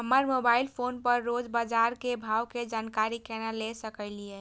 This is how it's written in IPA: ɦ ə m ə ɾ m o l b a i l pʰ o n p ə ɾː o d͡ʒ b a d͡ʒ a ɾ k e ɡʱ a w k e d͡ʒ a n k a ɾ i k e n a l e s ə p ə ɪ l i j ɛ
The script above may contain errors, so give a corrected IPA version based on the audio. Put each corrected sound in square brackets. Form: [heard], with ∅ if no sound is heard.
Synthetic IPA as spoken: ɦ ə m ə ɾ m o [∅] b a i l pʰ o n p ə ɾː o d͡ʒ b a d͡ʒ a ɾ k e [bʱ] a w k e d͡ʒ a n k a ɾ i k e n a l e s ə [k] ə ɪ l i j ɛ